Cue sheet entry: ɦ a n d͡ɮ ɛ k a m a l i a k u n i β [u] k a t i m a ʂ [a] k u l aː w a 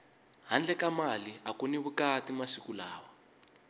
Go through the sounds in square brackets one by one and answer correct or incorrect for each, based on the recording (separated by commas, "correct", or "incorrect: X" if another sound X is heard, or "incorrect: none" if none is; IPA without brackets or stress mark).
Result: correct, incorrect: i